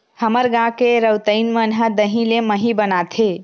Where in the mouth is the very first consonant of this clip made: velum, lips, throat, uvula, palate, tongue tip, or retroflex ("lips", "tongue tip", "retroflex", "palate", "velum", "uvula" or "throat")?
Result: throat